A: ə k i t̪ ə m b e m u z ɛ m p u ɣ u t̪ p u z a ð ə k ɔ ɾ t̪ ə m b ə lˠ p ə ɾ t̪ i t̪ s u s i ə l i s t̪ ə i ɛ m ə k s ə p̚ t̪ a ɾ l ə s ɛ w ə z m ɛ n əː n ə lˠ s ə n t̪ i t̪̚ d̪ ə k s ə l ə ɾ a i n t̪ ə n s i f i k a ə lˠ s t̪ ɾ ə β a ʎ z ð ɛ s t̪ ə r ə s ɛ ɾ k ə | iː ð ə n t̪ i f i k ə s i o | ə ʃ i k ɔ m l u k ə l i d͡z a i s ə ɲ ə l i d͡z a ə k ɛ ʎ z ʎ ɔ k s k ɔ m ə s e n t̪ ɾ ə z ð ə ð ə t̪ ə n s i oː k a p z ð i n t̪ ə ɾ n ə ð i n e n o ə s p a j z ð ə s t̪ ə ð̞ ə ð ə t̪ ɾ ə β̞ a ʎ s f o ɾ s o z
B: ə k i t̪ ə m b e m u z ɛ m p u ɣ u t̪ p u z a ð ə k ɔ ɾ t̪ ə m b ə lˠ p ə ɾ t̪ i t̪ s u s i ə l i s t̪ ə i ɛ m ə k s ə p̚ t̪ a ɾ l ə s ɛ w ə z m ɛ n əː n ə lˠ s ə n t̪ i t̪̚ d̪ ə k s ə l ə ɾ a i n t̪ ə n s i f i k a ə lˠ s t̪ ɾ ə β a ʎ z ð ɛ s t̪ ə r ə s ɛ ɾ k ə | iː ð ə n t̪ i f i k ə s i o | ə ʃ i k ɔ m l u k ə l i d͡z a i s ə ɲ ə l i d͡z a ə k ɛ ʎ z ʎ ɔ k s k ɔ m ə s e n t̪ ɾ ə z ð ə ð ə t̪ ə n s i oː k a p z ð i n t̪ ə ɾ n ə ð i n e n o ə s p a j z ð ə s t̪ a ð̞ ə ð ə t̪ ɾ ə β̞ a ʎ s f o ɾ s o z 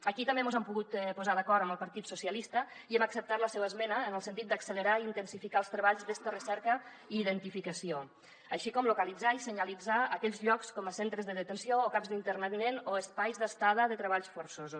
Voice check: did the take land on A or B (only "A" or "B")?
B